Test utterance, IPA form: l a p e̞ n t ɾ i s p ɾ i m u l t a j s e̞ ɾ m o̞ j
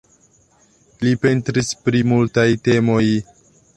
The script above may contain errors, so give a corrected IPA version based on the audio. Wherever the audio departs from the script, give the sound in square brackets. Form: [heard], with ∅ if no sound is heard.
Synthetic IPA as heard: l [i] p e̞ n t ɾ i s p ɾ i m u l t a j [t] e̞ [∅] m o̞ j